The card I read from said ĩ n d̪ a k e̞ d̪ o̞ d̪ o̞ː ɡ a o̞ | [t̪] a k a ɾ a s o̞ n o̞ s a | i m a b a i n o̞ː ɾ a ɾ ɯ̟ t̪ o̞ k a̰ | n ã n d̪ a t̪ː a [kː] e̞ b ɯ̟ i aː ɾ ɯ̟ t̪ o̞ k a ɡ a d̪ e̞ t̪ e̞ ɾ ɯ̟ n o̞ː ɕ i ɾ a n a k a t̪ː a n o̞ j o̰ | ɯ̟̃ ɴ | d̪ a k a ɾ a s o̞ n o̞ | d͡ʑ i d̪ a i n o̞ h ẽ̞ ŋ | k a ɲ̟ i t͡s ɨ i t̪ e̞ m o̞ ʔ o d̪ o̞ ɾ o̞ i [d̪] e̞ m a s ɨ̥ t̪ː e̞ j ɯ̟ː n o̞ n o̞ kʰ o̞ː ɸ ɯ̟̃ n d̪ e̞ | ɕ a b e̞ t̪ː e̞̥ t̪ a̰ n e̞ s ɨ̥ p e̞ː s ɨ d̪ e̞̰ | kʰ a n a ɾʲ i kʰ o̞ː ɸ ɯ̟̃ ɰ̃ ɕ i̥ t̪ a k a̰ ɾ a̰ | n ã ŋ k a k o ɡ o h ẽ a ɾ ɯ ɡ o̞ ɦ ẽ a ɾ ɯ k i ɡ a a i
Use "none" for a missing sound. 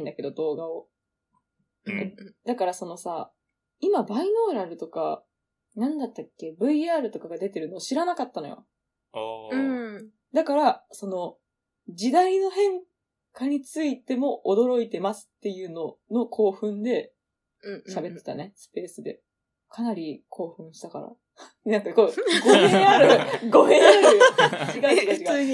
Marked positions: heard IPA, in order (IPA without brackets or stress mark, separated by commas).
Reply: d̪, kː, t̪